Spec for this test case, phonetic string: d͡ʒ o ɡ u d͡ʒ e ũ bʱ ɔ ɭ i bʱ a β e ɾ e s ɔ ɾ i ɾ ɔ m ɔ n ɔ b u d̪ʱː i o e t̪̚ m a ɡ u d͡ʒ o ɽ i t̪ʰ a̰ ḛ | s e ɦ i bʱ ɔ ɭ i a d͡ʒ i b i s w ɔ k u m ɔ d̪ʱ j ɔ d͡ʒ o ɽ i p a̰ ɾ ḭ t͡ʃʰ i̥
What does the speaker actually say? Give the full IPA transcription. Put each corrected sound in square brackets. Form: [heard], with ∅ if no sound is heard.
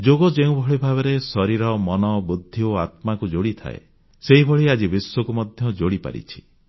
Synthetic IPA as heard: d͡ʒ o ɡ [ɔ] d͡ʒ e ũ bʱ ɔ ɭ i bʱ a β e ɾ e s ɔ ɾ i ɾ ɔ m ɔ n ɔ b u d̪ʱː i o [a] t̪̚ m a [k] u d͡ʒ o ɽ i t̪ʰ a̰ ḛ | s e ɦ i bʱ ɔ ɭ i a d͡ʒ i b i s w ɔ k u m ɔ d̪ʱ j ɔ d͡ʒ o ɽ i p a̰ ɾ ḭ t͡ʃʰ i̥